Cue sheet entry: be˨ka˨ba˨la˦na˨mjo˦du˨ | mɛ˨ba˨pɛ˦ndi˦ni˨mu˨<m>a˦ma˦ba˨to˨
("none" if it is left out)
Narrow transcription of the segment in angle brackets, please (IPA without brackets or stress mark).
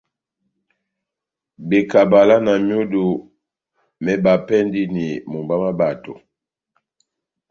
b